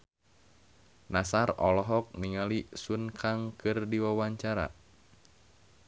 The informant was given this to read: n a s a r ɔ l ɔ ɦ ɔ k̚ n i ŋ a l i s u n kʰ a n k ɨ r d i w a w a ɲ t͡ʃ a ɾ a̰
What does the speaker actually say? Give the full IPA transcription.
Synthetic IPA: n a s a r ɔ l ɔ ɦ ɔ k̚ n i ŋ a l i s u n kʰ a ŋ k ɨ r d i w a w a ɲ t͡ʃ a ɾ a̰